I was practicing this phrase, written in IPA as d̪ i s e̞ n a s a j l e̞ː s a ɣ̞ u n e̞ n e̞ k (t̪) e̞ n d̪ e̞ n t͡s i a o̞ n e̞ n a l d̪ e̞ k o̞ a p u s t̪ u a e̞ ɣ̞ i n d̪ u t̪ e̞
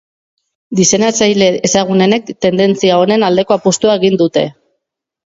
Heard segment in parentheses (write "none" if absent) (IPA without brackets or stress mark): t̪